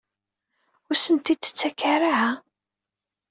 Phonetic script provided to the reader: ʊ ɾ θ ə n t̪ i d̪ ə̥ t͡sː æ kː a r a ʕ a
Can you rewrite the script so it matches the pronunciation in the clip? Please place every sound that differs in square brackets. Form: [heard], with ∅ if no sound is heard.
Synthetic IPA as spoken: ʊ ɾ [s] ə n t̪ i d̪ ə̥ t͡sː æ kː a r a ʕ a